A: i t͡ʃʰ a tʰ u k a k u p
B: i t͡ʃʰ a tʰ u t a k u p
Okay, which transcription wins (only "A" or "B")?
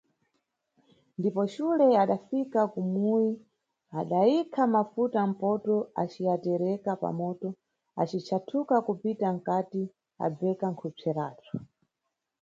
A